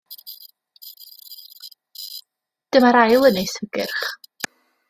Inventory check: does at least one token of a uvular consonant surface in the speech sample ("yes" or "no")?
yes